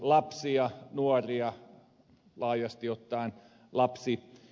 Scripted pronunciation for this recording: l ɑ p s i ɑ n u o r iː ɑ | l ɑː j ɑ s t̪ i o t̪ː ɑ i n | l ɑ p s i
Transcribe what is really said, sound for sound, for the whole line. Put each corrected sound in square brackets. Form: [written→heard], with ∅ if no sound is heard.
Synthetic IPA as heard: l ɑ p s i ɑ n u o r [iː→i] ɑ | l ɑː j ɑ s t̪ i o t̪ː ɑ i n | l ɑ p s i